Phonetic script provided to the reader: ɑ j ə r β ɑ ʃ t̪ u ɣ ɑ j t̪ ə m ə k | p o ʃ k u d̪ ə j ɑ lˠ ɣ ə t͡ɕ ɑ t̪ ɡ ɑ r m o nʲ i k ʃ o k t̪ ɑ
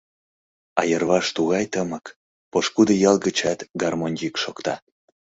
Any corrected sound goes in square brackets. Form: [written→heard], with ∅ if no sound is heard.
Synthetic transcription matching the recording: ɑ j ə r β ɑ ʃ t̪ u ɣ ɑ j t̪ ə m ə k | p o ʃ k u d̪ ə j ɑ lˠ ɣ ə t͡ɕ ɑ t̪ ɡ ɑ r m o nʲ i k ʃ o k t̪ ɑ